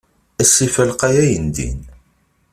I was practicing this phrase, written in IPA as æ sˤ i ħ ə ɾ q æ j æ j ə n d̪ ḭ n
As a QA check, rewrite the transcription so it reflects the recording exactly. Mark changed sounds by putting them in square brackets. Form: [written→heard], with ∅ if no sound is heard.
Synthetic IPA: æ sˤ i [ħ→f] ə [ɾ→l] q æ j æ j ə n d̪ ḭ n